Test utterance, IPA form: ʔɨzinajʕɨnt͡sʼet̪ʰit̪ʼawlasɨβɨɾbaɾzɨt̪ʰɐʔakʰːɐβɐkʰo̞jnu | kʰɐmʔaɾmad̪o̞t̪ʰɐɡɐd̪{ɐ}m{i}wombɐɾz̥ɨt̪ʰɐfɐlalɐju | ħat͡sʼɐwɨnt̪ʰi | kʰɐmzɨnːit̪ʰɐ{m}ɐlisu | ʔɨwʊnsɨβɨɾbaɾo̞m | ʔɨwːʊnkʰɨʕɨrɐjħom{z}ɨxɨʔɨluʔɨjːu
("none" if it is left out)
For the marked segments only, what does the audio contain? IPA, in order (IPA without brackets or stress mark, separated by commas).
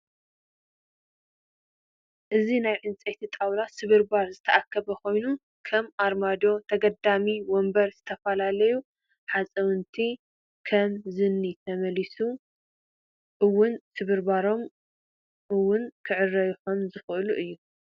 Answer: a, i, m, z